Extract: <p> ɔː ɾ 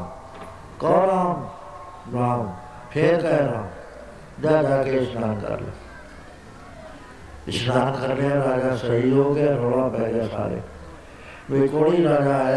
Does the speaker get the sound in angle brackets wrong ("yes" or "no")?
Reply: yes